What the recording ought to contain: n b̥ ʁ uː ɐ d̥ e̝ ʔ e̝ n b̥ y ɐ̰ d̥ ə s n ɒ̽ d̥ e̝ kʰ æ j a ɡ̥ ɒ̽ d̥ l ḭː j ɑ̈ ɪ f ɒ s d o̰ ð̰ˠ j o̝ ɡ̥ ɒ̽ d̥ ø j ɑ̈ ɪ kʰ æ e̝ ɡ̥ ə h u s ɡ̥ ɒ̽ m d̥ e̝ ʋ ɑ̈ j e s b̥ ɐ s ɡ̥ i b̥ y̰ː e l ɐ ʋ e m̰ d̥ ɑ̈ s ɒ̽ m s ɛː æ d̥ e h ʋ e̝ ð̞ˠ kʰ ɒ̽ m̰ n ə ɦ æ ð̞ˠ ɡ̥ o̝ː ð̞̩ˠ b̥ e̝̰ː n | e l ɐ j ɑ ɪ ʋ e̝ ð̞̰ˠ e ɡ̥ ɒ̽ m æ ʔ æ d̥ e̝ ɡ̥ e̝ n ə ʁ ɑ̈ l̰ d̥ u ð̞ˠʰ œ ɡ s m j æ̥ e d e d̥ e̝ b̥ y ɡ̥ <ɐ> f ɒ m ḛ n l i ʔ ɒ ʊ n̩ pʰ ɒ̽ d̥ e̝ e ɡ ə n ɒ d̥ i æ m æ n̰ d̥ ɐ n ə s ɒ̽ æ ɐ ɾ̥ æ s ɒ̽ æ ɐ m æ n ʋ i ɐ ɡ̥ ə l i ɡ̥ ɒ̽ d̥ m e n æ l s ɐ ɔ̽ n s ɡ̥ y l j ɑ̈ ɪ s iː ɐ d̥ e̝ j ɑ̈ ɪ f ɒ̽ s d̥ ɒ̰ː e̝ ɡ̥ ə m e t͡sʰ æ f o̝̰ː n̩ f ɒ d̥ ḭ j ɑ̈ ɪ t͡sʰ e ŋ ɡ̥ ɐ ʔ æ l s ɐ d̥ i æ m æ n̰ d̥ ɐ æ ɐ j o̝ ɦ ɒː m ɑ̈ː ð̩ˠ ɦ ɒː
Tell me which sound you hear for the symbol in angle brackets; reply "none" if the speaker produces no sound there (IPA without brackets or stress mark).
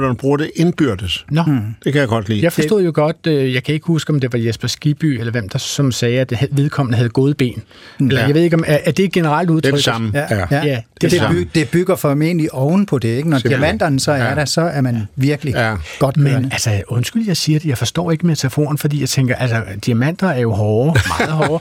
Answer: ɐ